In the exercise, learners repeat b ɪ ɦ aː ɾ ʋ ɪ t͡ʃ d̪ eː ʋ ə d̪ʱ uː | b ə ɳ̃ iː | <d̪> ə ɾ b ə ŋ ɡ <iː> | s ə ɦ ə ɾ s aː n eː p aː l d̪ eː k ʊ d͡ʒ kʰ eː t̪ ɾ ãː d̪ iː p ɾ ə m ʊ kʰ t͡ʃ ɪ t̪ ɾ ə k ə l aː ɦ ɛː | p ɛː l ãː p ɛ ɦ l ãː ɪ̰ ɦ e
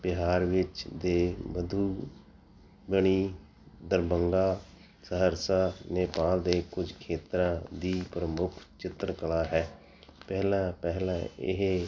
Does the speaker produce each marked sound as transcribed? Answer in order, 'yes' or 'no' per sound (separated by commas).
yes, no